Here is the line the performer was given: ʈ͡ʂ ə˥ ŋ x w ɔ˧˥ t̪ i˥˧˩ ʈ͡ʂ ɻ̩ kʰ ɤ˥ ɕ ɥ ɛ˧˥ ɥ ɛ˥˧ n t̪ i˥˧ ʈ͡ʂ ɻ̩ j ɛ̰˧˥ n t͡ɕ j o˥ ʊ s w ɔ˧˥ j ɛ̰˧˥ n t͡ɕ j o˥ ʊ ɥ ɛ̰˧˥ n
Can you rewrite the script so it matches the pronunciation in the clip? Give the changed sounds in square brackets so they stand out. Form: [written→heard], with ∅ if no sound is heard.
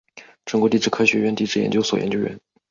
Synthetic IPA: ʈ͡ʂ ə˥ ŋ [x→k] w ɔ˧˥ t̪ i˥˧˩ ʈ͡ʂ ɻ̩ kʰ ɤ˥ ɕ ɥ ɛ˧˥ ɥ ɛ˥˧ n t̪ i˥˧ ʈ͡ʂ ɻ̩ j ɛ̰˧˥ n t͡ɕ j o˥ ʊ s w [ɔ˧˥→ɔ˨˩] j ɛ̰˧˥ n t͡ɕ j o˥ ʊ ɥ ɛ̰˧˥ n